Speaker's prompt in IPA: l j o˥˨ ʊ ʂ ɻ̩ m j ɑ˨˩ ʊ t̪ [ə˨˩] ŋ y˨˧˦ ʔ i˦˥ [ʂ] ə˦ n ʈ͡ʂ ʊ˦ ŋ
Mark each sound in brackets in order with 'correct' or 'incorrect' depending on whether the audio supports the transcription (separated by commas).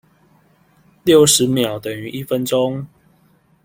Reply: correct, incorrect